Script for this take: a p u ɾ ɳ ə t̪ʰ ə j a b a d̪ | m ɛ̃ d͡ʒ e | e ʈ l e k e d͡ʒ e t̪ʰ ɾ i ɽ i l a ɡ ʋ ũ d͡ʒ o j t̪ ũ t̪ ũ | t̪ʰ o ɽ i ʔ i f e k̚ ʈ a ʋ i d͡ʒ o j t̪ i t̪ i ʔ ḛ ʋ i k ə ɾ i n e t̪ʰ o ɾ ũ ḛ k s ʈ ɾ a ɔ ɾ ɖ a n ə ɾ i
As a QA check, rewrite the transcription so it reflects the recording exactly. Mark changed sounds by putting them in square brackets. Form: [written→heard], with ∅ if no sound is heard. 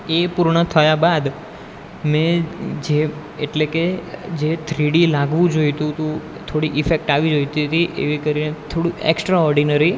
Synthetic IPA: [a→e] p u ɾ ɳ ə t̪ʰ ə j a b a d̪ | m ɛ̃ d͡ʒ e | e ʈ l e k e d͡ʒ e t̪ʰ ɾ i ɽ i l a ɡ ʋ ũ d͡ʒ o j t̪ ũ t̪ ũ | t̪ʰ o ɽ i ʔ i f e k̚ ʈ a ʋ i d͡ʒ o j t̪ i t̪ i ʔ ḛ ʋ i k ə ɾ i n e t̪ʰ o [ɾ→ɽ] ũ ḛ k s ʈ ɾ a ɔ ɾ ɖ [a→i] n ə ɾ i